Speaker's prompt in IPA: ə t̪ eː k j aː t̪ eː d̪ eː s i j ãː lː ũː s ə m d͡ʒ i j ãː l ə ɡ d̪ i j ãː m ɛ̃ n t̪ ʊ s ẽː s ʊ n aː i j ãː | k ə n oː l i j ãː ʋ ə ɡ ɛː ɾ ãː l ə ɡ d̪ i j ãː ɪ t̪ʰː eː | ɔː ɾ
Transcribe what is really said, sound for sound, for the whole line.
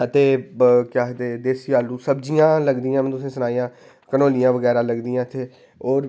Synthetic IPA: ə t̪ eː k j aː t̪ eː d̪ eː s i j aː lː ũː s ə b d͡ʒ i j ãː l ə ɡ d̪ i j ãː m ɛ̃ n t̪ ʊ s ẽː s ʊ n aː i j ãː | k ə n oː l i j ãː ʋ ə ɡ ɛː ɾ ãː l ə ɡ d̪ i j ãː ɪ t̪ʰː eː | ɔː ɾ